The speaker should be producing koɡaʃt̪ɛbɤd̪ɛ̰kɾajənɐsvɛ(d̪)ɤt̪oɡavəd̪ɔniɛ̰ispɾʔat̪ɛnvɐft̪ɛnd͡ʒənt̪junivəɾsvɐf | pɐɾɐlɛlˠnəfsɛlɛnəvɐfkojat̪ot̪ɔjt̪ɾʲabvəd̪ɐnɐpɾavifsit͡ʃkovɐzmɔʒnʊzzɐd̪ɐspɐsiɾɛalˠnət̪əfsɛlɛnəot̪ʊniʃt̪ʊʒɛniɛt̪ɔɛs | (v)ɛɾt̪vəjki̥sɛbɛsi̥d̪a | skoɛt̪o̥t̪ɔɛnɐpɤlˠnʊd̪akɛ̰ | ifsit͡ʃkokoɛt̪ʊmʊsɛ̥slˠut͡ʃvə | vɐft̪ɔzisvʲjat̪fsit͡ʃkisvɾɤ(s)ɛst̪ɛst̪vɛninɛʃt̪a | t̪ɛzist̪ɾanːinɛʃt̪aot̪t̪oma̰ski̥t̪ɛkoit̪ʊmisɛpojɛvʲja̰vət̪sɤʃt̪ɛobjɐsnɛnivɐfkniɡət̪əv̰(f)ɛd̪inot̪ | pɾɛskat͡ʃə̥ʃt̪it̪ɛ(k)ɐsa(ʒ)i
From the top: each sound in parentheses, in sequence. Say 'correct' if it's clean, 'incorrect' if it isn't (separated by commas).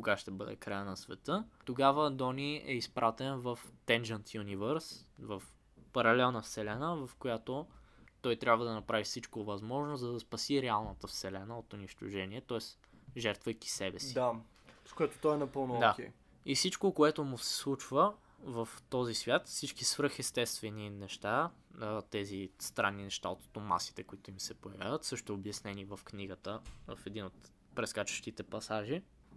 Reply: incorrect, incorrect, incorrect, correct, incorrect, correct